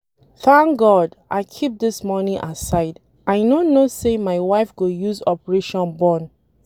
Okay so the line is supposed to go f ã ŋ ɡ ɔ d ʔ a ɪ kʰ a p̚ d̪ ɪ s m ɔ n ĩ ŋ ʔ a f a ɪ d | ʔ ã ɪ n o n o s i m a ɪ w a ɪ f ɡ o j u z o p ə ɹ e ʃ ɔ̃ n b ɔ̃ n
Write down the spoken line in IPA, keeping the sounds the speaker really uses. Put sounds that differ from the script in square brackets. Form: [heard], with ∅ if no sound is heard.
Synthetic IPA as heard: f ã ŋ ɡ ɔ d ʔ a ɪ kʰ [i] p̚ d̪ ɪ s m ɔ n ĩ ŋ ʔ a [s] a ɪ d | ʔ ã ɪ n o n o s [e] m a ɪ w a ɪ f ɡ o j u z [ɔ] p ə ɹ e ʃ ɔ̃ n b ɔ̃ n